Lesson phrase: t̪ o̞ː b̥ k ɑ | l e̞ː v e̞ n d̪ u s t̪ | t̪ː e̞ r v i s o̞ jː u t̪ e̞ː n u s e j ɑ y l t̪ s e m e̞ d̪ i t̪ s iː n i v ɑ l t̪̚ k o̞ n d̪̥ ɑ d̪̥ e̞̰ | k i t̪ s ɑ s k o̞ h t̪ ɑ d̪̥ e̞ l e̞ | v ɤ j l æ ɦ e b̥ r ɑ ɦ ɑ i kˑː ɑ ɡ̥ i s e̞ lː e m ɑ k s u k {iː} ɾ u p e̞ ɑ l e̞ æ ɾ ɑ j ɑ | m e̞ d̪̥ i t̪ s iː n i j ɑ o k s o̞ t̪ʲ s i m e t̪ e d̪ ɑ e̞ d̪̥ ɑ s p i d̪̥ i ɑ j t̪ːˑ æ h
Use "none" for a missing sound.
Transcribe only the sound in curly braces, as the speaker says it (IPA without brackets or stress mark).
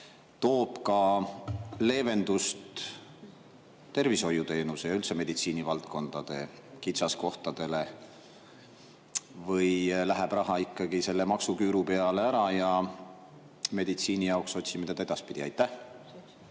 yː